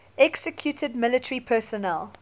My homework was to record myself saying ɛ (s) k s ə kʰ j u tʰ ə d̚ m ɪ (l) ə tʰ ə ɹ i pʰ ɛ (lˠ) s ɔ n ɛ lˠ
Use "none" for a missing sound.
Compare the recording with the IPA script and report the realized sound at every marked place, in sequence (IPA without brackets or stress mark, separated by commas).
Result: none, l, none